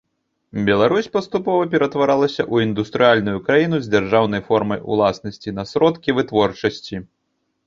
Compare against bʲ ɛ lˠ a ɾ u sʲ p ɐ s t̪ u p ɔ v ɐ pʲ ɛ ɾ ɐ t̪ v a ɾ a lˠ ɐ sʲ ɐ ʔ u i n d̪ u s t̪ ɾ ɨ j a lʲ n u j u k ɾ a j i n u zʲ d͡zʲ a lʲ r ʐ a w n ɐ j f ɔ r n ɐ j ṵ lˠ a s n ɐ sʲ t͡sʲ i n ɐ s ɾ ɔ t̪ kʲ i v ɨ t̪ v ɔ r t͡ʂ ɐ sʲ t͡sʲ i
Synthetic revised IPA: bʲ ɛ lˠ a ɾ u sʲ p ɐ s t̪ u p ɔ v ɐ pʲ ɛ ɾ ɐ t̪ v a ɾ a lˠ ɐ sʲ ɐ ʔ u i n d̪ u s t̪ ɾ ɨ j a lʲ n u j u k ɾ a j i n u zʲ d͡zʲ a r ʐ a w n ɐ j f ɔ r m ɐ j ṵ lˠ a s n ɐ sʲ t͡sʲ i n ɐ s ɾ ɔ t̪ kʲ i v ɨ t̪ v ɔ r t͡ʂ ɐ sʲ t͡sʲ i